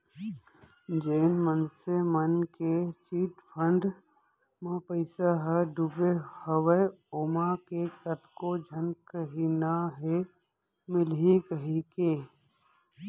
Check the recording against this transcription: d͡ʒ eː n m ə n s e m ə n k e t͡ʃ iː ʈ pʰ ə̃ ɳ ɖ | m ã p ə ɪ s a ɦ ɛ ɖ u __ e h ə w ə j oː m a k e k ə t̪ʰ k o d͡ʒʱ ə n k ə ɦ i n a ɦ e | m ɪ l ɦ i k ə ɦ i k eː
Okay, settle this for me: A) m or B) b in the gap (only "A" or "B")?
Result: B